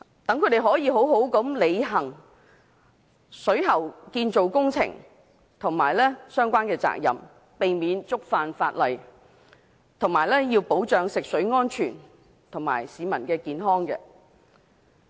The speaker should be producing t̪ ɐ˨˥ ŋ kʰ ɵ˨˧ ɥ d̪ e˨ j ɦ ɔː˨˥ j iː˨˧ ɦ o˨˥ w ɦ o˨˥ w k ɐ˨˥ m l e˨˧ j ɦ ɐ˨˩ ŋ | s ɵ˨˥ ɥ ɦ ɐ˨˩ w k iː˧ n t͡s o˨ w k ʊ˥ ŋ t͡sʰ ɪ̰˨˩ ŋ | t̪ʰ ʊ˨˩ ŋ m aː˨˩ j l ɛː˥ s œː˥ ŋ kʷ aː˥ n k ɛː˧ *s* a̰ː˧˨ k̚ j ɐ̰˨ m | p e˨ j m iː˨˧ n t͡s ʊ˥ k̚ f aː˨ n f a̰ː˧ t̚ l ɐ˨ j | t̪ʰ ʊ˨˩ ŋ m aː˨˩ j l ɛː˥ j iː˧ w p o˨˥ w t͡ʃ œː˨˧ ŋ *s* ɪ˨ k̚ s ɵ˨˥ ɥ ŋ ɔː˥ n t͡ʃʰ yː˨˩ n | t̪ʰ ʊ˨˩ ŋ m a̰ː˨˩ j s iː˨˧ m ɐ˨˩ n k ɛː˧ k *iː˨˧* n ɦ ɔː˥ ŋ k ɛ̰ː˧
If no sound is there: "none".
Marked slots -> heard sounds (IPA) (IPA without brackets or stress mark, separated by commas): t͡s, s, iː˨˧